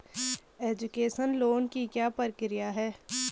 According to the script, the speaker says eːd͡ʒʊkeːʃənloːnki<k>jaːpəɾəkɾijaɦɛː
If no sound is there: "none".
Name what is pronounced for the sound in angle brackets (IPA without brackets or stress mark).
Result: k